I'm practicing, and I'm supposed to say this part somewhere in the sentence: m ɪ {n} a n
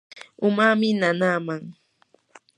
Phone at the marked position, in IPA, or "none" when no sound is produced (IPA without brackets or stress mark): n